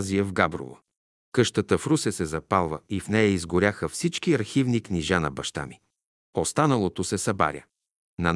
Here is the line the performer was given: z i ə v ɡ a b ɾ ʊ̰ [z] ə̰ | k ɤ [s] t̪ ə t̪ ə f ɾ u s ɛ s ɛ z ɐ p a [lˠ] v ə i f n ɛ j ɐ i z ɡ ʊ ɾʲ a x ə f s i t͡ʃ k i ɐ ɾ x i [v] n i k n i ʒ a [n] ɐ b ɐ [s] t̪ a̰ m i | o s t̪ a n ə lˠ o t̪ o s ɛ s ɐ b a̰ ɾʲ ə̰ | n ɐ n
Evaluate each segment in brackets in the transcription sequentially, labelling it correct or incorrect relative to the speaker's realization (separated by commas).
incorrect, incorrect, correct, correct, correct, incorrect